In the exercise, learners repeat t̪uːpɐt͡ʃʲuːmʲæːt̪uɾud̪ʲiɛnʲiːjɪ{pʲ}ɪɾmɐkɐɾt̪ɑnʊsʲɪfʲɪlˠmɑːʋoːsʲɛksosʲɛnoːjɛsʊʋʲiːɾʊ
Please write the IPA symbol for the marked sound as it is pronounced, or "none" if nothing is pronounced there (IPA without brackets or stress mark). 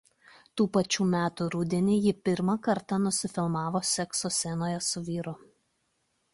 pʲ